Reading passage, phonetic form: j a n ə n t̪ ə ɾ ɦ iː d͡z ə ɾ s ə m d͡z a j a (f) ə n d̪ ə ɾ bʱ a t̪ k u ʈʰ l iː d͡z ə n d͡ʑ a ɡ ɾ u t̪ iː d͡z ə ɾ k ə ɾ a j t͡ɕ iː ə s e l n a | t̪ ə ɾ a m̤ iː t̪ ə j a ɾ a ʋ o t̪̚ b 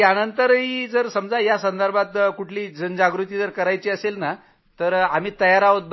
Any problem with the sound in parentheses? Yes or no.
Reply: yes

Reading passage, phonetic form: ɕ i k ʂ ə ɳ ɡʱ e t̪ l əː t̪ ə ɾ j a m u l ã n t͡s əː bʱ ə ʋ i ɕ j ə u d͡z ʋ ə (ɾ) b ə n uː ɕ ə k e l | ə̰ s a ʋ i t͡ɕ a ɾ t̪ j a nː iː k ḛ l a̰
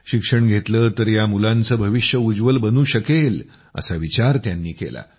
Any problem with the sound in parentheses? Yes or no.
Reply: yes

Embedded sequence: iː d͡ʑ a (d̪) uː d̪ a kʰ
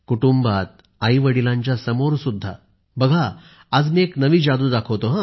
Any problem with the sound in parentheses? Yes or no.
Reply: no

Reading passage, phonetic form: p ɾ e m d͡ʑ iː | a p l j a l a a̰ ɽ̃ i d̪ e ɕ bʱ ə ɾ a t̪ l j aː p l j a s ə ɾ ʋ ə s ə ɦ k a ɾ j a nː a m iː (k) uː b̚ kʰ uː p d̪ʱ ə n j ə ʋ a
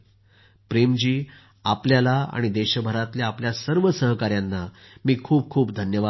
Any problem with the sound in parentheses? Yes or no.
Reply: yes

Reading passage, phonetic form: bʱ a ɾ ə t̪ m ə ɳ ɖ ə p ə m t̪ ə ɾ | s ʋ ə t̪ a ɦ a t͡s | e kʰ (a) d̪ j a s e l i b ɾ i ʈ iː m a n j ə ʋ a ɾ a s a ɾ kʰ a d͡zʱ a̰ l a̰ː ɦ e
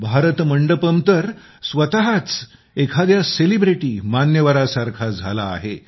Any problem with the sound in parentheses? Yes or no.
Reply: no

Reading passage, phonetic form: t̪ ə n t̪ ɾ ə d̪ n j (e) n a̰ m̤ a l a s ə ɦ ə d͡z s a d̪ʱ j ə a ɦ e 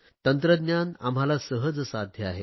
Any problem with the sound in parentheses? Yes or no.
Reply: yes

